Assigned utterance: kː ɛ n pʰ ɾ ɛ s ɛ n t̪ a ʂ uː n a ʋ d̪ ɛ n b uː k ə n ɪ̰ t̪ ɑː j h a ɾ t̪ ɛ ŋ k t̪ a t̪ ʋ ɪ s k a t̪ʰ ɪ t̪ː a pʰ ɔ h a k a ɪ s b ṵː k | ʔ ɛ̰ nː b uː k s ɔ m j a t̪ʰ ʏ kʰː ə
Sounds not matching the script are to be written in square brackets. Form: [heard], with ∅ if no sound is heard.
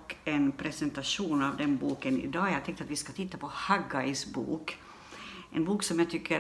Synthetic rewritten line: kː ɛ n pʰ ɾ ɛ s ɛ n t̪ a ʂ uː n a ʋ d̪ ɛ n b uː k ə n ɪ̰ [d̪] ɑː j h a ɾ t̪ ɛ ŋ k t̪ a t̪ ʋ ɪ s k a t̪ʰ ɪ t̪ː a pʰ ɔ h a [ɡ] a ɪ s b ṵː k | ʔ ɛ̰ [n] b uː k s ɔ m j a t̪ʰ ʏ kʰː ə